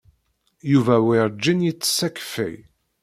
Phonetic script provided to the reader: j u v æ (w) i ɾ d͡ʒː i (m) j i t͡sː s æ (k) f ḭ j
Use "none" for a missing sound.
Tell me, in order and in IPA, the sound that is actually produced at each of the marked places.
w, n, k

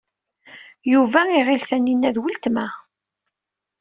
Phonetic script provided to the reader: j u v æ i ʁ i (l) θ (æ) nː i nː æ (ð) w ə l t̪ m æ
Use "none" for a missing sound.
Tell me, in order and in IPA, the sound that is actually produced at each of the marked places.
l, æ, ð

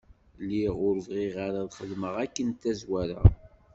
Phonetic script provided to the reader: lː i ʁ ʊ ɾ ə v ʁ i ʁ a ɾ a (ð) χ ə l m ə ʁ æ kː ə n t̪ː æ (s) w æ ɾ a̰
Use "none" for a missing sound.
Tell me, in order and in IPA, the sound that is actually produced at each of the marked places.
ð, z

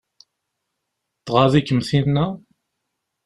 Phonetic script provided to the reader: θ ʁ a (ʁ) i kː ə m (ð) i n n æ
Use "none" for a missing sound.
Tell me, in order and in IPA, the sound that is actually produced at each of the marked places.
ð, θ

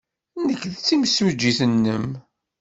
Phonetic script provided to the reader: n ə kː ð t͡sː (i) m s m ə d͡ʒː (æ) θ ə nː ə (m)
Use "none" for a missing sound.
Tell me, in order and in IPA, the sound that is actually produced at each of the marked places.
i, i, m

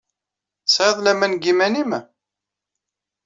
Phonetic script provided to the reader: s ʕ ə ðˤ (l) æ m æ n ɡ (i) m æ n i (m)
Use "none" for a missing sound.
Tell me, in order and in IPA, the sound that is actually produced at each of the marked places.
l, i, m

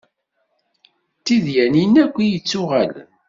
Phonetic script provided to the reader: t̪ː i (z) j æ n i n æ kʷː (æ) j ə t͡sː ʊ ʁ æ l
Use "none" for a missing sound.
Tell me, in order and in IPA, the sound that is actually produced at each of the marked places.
ð, i

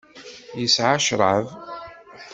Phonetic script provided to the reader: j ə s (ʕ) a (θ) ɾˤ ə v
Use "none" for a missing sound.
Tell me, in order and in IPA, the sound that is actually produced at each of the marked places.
ʕ, ʃ

